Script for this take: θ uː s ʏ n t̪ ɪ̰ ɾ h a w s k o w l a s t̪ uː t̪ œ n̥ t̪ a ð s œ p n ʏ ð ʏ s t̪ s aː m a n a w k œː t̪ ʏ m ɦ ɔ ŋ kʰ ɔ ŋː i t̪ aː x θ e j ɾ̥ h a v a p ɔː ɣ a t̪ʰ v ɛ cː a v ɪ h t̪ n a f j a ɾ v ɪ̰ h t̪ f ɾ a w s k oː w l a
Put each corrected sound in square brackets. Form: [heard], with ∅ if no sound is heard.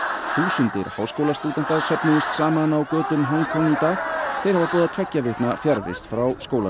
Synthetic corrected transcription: θ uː s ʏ n t̪ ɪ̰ ɾ h a w s k o w l a s t̪ uː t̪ [ɛ] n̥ t̪ a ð s œ p n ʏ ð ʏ s t̪ s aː m a n a w k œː t̪ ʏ m ɦ ɔ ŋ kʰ ɔ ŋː i t̪ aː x θ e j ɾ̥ h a v a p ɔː [ð] a t̪ʰ v ɛ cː a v ɪ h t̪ n a f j a ɾ v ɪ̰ [s] t̪ f ɾ a w s k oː w l a